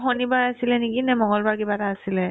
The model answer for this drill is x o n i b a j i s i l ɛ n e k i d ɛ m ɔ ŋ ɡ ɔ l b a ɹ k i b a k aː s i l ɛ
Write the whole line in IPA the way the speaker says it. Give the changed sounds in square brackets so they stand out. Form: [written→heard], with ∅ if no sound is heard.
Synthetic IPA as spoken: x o n i b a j [i→a] s i l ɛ n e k i [d→n] ɛ m ɔ ŋ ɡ ɔ l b a ɹ k i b a [k→t] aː s i l ɛ